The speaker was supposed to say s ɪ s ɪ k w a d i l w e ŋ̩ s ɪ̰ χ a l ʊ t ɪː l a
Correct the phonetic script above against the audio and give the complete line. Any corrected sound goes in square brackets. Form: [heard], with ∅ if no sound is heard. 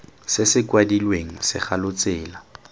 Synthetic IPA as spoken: s ɪ s ɪ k w a d i l w e ŋ̩ s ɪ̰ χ a l ʊ [t͡s] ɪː l a